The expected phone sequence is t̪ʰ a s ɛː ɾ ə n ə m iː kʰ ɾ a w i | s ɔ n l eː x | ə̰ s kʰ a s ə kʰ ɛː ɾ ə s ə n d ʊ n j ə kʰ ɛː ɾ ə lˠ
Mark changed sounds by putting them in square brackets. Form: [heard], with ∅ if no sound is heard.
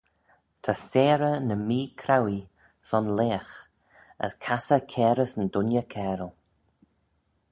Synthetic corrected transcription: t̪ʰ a s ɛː ɾ ə n ə m iː kʰ ɾ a w i | s ɔ n l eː x | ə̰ s kʰ a s ə kʰ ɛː ɾ ə s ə n d ʊ n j ə kʰ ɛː ɾ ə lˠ

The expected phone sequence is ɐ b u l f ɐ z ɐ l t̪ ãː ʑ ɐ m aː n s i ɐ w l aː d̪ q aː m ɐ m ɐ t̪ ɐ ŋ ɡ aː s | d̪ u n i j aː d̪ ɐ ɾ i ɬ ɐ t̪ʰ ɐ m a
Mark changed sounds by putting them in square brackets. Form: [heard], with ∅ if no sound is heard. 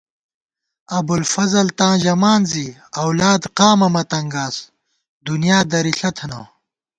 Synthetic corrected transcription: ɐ b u l f ɐ z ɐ l t̪ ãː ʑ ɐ m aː n [z] i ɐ w l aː d̪ q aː m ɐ m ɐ t̪ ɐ ŋ ɡ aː s | d̪ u n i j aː d̪ ɐ ɾ i ɬ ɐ t̪ʰ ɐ [n] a

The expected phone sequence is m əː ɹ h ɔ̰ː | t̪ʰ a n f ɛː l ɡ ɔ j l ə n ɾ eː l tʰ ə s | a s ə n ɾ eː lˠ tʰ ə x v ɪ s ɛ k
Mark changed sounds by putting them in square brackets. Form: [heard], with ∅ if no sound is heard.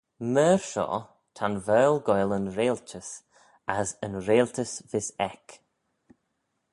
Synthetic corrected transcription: m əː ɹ [ʃ] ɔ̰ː | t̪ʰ a n [v] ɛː l ɡ ɔ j l ə n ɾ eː l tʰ ə s | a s ə n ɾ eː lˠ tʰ ə [s] v ɪ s ɛ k

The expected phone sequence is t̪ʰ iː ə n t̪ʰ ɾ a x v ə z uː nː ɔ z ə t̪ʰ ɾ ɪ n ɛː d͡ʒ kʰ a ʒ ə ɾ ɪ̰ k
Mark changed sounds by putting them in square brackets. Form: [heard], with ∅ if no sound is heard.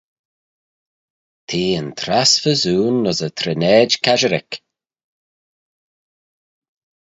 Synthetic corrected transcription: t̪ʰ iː ə n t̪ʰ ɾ a [s] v ə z uː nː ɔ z ə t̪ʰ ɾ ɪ n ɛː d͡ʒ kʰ a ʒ ə ɾ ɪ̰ k

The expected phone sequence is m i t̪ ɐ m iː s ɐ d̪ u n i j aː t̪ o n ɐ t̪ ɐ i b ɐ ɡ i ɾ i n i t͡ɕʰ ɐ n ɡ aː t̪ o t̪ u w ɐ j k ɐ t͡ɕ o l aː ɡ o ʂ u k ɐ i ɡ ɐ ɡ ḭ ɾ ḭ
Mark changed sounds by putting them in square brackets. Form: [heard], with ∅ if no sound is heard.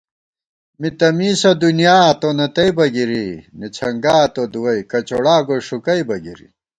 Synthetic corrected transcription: m i t̪ ɐ m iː s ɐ d̪ u n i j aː t̪ o n ɐ t̪ ɐ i b ɐ ɡ i ɾ i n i t͡ɕʰ ɐ [ŋ] ɡ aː t̪ o [d̪] u w ɐ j k ɐ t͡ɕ o [ɽ] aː ɡ o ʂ u k ɐ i [b] ɐ ɡ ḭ ɾ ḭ

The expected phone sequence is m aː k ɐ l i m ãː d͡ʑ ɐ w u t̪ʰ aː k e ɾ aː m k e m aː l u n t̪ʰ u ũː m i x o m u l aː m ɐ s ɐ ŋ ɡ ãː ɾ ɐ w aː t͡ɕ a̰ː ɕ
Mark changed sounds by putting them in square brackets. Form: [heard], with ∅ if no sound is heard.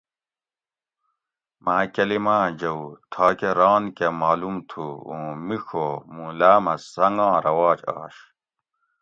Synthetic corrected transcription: m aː k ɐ l i m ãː d͡ʑ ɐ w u t̪ʰ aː k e ɾ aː [n] k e m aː l u [m] t̪ʰ u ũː m i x o m u l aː m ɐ s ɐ ŋ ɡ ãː ɾ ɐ w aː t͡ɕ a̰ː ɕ

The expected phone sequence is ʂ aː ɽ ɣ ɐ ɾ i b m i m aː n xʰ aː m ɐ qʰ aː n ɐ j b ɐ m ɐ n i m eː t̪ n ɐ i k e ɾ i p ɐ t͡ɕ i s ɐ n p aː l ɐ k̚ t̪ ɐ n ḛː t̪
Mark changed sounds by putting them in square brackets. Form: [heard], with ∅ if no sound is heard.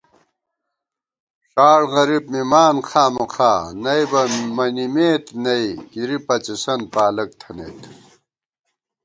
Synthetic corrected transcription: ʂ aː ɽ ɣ ɐ ɾ i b m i m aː n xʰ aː m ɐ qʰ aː n ɐ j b ɐ m ɐ n i m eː t̪ n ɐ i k [i] ɾ i p ɐ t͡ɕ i s ɐ n p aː l ɐ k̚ [t̪ʰ] ɐ n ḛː t̪

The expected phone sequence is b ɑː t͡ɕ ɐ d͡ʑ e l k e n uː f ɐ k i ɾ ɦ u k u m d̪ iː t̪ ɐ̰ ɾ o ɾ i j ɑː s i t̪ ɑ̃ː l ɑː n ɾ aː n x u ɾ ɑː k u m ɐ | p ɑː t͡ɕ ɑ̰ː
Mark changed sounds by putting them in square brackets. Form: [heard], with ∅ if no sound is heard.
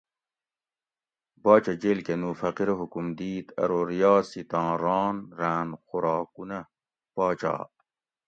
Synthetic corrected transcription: b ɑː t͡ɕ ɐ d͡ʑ e l k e n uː f ɐ [q] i ɾ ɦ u k u m d̪ iː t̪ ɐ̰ ɾ o ɾ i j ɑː s i t̪ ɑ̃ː [ɾ] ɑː n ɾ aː n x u ɾ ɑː k u [n] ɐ | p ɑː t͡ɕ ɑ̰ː

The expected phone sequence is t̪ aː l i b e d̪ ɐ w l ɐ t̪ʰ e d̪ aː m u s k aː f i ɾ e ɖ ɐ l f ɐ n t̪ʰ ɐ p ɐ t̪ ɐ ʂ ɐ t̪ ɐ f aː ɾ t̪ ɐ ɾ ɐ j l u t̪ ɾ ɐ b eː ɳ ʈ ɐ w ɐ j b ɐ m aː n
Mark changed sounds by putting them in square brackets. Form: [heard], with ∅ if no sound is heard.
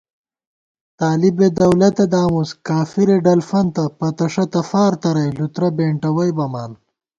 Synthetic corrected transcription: t̪ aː l i b e d̪ ɐ w l ɐ [t̪] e d̪ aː m u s k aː f i ɾ e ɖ ɐ l f ɐ n [t̪] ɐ p ɐ t̪ ɐ ʂ ɐ t̪ ɐ f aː ɾ t̪ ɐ ɾ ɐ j l u t̪ ɾ ɐ b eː ɳ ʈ ɐ w ɐ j b ɐ m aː n

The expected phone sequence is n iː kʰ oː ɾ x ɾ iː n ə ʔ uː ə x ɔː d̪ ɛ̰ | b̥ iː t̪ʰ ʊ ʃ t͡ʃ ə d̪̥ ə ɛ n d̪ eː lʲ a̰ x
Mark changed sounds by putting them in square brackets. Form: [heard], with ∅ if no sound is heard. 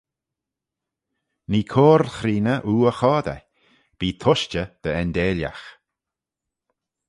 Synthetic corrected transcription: n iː kʰ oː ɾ x ɾ iː n ə ʔ uː ə x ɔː d̪ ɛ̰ | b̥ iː t̪ʰ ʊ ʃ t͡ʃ ə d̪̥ ə ɛ n d̪ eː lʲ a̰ x

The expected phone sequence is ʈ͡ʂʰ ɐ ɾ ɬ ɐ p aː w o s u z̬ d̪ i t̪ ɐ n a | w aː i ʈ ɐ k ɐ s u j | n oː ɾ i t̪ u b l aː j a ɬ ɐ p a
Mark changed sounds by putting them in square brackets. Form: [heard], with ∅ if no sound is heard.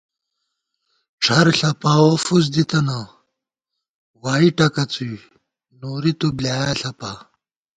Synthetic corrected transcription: ʈ͡ʂʰ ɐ ɾ ɬ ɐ p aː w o [f] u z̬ d̪ i t̪ ɐ n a | w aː i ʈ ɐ k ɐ [t͡s] u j | n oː ɾ i t̪ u b l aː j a ɬ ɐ p a

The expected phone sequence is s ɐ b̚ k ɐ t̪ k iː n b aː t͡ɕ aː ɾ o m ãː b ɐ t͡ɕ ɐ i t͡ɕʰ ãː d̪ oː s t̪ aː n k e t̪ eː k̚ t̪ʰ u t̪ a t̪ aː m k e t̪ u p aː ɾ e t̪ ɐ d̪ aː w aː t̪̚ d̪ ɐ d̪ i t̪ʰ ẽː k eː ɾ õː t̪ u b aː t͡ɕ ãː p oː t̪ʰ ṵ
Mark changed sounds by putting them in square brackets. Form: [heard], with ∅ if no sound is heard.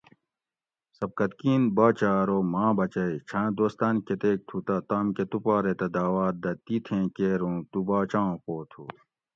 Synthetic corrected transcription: s ɐ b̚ k ɐ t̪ k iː n b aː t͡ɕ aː ɾ o m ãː b ɐ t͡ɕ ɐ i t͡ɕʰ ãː d̪ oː s t̪ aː n k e t̪ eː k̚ t̪ʰ u t̪ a t̪ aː m k e t̪ u p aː ɾ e t̪ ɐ d̪ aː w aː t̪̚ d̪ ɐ [t̪] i t̪ʰ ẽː k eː ɾ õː t̪ u b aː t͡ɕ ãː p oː t̪ʰ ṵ

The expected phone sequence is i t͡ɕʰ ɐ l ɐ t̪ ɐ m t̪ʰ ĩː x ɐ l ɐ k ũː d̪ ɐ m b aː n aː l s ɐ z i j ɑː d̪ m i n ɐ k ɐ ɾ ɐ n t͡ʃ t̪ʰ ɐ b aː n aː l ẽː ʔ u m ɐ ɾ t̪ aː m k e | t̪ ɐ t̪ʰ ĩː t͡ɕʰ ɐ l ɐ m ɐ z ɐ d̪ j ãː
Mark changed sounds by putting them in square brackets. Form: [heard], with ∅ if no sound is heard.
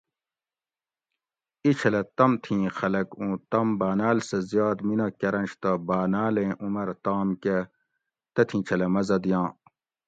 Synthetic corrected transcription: i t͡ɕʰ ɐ l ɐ t̪ ɐ m t̪ʰ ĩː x ɐ l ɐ k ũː [t̪] ɐ m b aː n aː l s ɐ z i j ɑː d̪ m i n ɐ k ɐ ɾ ɐ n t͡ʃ [t̪] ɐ b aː n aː l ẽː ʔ u m ɐ ɾ t̪ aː m k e | t̪ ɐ t̪ʰ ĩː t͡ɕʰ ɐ l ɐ m ɐ z ɐ d̪ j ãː

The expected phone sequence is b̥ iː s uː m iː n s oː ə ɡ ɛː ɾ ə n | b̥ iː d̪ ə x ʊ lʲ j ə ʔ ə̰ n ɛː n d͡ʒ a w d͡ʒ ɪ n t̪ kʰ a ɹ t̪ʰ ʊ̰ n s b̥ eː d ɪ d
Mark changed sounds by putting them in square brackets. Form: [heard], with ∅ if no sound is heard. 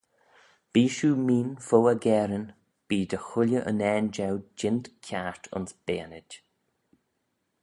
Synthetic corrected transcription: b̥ iː [ʃ] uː m iː n [f] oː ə ɡ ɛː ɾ ə n | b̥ iː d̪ ə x ʊ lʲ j ə ʔ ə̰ n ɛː n d͡ʒ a w d͡ʒ ɪ n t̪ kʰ a ɹ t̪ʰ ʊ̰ n s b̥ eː [n] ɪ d

